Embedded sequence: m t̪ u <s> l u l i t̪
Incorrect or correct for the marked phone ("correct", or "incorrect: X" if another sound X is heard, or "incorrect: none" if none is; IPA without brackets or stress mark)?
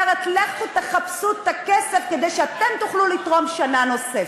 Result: incorrect: χ